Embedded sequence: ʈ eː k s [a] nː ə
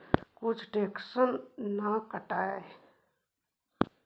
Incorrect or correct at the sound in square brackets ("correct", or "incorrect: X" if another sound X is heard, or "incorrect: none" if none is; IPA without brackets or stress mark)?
incorrect: ə